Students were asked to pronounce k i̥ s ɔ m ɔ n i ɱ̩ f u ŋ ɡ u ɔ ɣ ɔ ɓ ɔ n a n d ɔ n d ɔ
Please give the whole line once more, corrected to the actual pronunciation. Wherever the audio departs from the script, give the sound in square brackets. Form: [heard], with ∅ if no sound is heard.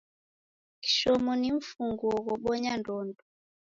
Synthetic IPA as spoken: k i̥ [ʃ] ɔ m ɔ n i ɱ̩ f u ŋ ɡ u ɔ ɣ ɔ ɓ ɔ [ɲ] a n d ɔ n d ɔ